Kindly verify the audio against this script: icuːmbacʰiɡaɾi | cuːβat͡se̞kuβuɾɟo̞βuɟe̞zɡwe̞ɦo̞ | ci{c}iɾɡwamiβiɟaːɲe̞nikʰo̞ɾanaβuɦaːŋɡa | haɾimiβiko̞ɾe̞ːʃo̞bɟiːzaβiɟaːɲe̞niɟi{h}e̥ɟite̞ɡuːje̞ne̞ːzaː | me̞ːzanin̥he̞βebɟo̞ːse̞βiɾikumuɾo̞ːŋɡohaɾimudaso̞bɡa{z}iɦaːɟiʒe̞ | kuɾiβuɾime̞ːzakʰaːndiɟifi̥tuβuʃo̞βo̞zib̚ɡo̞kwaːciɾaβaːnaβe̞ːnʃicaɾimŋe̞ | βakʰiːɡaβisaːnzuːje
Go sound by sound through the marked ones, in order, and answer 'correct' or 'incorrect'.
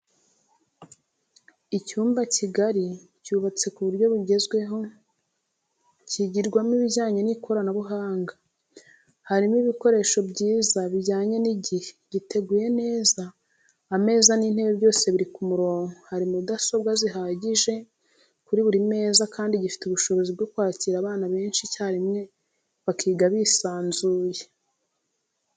incorrect: ɟ, correct, correct

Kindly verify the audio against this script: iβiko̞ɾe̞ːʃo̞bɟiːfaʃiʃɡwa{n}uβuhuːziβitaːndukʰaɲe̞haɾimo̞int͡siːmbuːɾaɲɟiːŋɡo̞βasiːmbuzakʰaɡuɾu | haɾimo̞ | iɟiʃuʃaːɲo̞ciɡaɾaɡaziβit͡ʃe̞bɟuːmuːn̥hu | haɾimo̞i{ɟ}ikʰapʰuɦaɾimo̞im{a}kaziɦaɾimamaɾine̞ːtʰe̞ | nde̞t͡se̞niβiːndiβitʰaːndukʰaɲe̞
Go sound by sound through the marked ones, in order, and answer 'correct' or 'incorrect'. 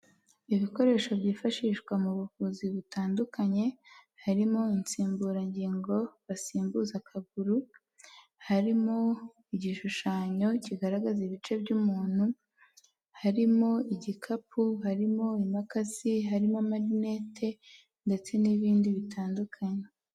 incorrect: m, correct, correct

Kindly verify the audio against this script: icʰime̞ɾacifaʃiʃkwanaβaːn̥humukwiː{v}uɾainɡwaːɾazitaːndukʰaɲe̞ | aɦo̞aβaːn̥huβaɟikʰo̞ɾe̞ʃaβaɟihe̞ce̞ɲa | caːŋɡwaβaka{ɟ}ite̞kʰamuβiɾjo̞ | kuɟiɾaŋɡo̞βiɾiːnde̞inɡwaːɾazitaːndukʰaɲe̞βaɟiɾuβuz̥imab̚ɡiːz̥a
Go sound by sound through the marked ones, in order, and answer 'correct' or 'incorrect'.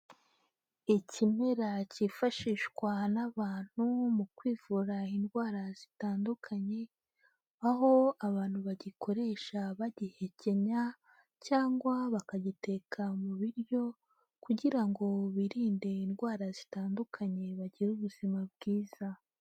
correct, correct

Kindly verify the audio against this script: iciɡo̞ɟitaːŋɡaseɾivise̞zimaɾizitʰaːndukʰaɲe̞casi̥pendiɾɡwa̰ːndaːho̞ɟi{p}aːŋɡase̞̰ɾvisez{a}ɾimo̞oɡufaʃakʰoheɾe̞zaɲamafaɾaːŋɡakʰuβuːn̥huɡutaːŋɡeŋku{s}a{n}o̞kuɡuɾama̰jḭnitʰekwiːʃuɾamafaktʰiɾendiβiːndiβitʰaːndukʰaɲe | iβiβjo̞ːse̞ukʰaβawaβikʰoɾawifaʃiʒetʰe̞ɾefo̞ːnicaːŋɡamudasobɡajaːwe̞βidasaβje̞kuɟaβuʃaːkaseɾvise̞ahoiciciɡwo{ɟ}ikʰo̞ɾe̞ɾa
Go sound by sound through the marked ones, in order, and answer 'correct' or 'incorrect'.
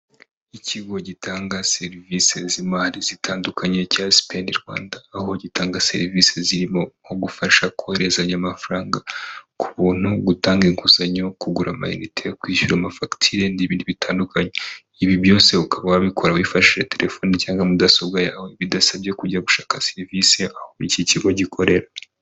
incorrect: t, incorrect: i, incorrect: z, incorrect: ɲ, correct

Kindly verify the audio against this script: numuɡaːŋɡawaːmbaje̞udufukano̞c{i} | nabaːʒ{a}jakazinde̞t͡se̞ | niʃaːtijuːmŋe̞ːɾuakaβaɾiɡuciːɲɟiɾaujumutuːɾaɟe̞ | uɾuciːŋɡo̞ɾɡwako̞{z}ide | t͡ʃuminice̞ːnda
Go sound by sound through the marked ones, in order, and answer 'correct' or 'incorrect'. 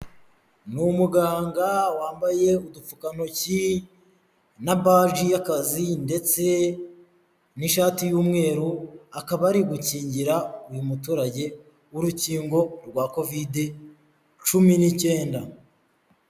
correct, incorrect: i, incorrect: v

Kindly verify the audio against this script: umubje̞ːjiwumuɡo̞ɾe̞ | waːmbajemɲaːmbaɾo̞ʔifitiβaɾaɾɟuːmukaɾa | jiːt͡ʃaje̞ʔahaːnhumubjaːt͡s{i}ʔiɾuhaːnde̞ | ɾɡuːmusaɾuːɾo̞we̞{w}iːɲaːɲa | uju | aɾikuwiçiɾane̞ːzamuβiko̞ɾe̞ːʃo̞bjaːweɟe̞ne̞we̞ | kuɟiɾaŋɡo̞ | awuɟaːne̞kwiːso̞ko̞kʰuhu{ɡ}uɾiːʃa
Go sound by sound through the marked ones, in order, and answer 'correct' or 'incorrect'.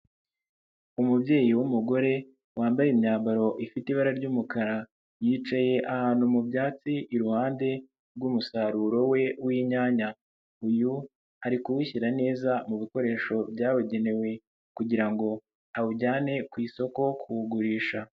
correct, correct, correct

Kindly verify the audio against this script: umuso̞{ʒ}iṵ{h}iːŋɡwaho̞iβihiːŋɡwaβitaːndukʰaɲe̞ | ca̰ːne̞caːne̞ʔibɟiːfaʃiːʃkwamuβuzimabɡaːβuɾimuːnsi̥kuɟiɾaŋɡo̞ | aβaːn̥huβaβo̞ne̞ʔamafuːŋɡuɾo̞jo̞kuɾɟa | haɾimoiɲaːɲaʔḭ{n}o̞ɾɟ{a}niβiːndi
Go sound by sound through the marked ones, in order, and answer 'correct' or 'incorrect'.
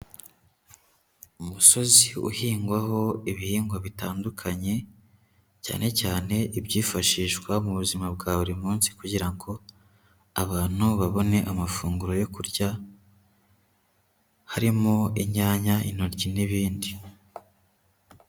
incorrect: z, correct, correct, incorrect: i

